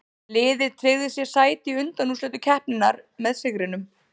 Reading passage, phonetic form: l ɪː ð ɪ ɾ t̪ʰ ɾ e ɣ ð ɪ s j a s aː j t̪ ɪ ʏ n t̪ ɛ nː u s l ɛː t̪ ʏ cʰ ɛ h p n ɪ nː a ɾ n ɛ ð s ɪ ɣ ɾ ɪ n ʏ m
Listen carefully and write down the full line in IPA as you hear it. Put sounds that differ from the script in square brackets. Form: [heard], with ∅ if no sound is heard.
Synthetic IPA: l ɪː ð ɪ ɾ t̪ʰ ɾ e ɣ ð ɪ s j [ɛ] s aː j t̪ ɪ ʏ n t̪ [a] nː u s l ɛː t̪ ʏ cʰ ɛ h p n ɪ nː a ɾ [m] ɛ ð s ɪ ɣ ɾ ɪ n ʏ m